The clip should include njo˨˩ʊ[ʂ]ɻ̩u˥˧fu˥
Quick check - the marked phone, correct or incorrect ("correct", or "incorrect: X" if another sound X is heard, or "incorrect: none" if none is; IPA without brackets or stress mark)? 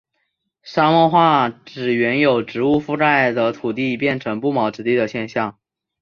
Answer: incorrect: ʈ͡ʂ